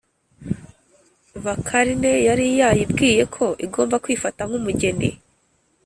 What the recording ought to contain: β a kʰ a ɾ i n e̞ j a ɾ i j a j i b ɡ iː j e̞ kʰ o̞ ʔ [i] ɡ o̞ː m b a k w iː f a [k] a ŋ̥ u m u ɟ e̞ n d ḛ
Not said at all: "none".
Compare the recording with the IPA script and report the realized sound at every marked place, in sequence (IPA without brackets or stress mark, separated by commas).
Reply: i, t